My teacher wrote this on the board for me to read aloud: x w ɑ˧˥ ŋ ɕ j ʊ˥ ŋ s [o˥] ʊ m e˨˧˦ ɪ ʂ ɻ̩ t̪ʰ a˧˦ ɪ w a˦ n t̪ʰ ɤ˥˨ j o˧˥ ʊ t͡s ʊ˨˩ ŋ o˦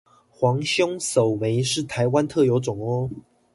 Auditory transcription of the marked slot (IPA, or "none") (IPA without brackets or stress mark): o˨˩